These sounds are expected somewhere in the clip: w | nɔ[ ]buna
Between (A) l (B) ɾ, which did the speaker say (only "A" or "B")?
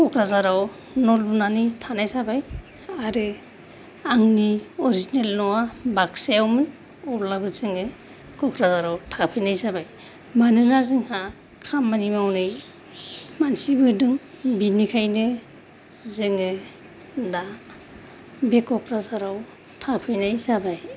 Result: A